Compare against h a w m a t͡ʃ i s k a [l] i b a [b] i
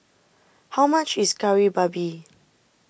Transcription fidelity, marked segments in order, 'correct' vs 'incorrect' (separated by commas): incorrect, correct